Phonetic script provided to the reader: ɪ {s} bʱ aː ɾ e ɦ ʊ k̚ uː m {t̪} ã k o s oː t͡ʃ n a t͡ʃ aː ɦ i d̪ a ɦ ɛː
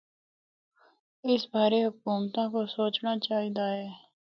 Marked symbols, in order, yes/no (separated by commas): yes, yes